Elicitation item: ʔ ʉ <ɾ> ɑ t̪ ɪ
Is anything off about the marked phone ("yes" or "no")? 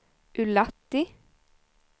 yes